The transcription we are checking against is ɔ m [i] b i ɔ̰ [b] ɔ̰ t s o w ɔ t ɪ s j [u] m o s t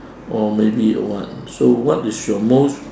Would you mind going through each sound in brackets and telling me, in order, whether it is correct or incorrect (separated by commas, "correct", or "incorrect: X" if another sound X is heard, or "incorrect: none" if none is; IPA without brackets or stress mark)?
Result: incorrect: e, incorrect: w, incorrect: ɔ